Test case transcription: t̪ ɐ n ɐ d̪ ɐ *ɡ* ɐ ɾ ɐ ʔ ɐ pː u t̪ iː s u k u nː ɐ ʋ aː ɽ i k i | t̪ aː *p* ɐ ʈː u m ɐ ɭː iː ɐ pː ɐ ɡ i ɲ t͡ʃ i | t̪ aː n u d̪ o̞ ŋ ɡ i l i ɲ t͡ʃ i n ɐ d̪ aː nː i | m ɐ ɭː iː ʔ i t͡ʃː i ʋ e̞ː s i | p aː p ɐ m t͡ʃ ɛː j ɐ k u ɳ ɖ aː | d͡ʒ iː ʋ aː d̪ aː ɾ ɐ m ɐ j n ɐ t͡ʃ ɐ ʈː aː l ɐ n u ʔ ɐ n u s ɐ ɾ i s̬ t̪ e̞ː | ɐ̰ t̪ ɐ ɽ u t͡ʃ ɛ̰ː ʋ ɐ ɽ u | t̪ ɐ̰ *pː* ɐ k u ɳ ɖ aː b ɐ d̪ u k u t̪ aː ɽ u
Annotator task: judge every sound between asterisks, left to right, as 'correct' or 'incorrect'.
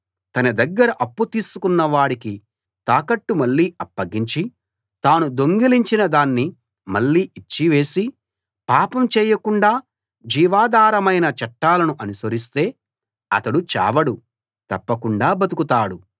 incorrect, incorrect, correct

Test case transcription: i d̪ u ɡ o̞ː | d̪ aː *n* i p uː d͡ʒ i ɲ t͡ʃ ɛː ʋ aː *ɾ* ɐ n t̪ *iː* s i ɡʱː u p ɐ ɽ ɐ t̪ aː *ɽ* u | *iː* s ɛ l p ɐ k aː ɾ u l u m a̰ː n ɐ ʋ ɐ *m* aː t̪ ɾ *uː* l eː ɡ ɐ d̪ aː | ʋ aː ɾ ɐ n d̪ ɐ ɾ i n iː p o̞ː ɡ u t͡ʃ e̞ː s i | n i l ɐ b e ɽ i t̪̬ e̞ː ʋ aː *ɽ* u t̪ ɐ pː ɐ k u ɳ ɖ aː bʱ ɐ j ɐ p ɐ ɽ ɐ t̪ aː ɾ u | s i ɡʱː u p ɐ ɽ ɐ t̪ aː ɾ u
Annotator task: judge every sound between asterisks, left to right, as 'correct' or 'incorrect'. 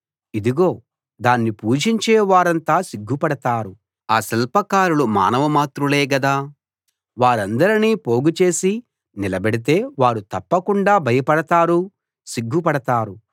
incorrect, correct, incorrect, incorrect, incorrect, correct, incorrect, incorrect

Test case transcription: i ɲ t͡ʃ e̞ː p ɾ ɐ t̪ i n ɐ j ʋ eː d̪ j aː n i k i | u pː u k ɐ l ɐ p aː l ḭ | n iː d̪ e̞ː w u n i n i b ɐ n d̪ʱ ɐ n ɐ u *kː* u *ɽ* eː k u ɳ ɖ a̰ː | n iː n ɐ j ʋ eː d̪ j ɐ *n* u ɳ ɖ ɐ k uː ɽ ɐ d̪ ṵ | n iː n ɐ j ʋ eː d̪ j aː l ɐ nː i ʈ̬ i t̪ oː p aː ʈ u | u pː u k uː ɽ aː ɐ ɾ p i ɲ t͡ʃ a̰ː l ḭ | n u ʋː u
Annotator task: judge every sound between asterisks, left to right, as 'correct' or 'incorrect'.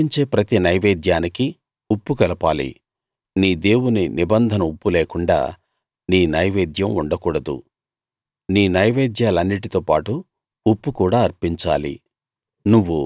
incorrect, incorrect, incorrect

